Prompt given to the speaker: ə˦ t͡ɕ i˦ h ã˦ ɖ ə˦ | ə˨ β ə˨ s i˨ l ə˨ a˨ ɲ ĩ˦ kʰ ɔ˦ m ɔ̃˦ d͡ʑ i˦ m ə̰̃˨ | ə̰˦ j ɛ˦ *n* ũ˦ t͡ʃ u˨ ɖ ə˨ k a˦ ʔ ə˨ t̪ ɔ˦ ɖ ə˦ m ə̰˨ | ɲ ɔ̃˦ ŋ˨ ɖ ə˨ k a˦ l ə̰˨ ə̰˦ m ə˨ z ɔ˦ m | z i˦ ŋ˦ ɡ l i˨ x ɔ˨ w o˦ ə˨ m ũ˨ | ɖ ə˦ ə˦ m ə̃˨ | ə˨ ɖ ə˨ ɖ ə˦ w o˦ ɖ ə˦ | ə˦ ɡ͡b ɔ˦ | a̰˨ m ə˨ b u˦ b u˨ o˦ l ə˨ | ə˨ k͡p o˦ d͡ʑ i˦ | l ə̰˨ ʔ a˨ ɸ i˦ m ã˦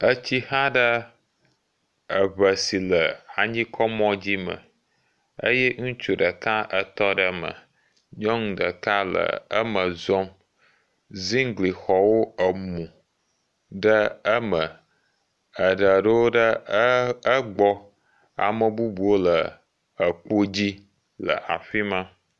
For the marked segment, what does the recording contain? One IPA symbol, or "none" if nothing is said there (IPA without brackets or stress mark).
ŋ